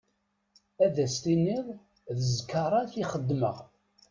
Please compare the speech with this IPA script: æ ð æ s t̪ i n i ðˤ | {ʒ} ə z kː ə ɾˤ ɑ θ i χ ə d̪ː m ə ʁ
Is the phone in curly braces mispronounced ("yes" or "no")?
yes